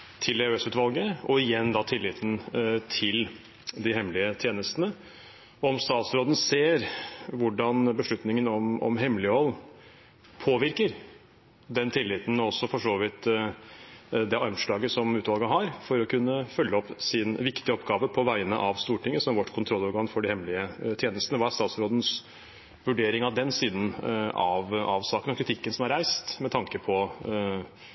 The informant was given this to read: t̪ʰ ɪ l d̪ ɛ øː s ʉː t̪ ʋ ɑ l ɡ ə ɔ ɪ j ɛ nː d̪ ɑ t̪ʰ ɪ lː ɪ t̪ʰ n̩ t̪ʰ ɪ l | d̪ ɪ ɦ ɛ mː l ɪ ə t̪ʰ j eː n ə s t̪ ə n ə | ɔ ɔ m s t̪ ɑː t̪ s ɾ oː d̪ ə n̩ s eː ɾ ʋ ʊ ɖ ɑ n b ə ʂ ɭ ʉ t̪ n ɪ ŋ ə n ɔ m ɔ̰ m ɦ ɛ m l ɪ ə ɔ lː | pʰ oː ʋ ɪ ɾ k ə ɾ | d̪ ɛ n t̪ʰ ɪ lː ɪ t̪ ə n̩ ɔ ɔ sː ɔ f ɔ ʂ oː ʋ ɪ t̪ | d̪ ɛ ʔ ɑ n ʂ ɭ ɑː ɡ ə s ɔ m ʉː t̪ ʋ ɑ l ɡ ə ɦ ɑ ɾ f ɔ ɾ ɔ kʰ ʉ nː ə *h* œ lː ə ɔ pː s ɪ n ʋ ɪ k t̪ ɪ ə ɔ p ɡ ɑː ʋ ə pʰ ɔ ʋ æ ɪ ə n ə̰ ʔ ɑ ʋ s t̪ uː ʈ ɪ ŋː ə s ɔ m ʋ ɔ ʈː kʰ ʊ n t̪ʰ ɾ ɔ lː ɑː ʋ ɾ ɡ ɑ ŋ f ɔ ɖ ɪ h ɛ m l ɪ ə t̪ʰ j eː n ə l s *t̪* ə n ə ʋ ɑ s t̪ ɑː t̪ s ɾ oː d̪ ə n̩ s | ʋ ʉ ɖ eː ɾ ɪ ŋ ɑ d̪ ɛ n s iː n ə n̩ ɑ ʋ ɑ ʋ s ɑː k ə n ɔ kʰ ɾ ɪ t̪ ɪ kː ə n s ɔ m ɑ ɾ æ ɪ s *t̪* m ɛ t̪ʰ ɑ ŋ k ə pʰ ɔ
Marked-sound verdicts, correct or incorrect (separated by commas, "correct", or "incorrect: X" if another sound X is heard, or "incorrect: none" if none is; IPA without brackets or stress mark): incorrect: f, correct, correct